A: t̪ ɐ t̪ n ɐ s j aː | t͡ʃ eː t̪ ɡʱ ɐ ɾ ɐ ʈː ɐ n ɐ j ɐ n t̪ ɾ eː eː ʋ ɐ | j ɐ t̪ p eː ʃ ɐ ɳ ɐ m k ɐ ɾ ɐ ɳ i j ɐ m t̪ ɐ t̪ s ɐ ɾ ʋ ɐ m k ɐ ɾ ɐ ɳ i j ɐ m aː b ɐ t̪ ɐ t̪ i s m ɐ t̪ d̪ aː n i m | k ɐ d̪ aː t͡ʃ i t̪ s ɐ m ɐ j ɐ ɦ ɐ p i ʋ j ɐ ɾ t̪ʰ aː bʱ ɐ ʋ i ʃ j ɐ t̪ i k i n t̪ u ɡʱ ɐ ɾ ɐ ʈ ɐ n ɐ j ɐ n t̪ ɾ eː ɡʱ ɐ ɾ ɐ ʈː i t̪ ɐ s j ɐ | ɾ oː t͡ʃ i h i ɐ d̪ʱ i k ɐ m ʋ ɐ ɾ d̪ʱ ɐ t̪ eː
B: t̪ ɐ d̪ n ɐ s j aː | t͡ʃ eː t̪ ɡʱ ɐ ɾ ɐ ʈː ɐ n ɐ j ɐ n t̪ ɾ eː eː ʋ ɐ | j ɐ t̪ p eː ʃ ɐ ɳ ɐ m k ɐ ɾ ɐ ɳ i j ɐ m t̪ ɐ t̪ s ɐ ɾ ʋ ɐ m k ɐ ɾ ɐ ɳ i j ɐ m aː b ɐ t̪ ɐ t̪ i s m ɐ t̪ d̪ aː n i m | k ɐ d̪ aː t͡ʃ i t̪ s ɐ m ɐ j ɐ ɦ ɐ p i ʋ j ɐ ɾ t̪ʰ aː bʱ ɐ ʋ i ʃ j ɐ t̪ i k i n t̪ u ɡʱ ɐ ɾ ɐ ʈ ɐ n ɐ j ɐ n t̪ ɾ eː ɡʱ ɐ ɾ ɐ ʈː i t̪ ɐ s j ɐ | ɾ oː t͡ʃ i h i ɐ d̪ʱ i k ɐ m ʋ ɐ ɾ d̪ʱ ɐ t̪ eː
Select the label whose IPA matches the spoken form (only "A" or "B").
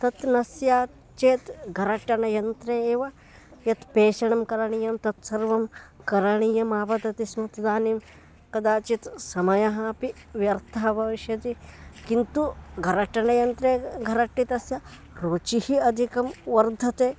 A